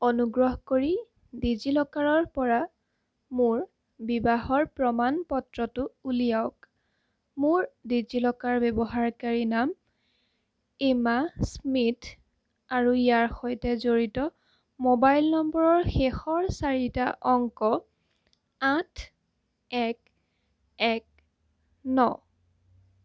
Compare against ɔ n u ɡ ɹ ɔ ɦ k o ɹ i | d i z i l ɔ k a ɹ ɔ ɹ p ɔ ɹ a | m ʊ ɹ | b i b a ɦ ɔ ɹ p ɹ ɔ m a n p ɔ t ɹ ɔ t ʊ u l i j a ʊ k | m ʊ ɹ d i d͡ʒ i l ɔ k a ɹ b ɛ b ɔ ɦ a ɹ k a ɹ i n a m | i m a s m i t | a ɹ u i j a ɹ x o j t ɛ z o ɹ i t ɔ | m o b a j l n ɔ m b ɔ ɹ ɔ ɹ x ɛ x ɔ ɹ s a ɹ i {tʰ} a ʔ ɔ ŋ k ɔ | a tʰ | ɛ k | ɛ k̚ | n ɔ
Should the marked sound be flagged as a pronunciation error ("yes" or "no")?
yes